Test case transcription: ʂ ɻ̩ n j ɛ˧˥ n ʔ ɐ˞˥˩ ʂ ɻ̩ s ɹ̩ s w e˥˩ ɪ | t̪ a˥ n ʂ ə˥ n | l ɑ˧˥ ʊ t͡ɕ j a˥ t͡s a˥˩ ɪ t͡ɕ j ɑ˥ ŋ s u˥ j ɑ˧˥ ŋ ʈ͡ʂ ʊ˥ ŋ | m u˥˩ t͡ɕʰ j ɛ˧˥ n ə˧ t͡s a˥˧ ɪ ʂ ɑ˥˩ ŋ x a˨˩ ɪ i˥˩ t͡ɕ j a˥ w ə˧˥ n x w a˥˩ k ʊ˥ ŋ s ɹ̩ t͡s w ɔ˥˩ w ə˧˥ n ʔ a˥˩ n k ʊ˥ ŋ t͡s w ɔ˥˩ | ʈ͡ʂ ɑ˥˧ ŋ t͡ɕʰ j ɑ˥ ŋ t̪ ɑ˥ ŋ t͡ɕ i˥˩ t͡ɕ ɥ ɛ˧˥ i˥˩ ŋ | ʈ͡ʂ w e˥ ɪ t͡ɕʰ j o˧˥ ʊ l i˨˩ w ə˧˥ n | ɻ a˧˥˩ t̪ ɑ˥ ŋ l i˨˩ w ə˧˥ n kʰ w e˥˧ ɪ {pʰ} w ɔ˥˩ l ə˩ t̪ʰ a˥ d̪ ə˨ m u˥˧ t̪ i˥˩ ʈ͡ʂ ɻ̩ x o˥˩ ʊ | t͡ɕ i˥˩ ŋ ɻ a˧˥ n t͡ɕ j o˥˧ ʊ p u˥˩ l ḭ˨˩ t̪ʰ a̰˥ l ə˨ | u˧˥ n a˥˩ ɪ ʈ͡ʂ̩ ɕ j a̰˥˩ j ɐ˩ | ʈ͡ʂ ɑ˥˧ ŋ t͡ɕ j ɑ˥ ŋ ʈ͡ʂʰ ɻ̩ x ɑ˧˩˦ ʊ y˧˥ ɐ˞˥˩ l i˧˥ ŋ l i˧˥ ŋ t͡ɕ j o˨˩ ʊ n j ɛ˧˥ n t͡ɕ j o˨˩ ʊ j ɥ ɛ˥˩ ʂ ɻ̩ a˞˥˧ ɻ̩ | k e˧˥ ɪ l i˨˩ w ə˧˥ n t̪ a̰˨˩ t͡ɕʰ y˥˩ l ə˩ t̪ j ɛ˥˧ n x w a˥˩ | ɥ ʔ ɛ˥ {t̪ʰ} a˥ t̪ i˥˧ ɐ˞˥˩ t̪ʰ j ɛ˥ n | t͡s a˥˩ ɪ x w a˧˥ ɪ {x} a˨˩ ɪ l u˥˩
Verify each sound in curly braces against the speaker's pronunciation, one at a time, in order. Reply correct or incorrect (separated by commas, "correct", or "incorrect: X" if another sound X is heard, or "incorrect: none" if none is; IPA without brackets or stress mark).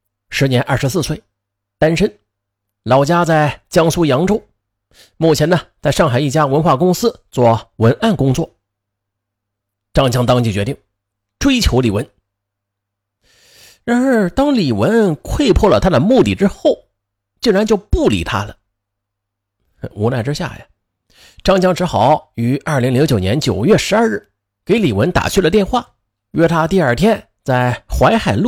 correct, correct, correct